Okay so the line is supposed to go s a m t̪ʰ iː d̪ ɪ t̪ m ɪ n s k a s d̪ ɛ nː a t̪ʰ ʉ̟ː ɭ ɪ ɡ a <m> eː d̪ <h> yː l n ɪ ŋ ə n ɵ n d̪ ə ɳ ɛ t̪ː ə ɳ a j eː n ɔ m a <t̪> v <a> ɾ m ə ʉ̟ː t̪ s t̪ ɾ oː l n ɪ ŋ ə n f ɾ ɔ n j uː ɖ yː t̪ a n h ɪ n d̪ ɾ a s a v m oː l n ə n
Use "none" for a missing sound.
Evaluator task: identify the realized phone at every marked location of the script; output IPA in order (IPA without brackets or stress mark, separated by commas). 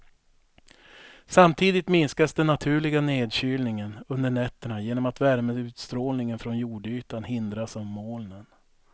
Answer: n, ɕ, t̪, æ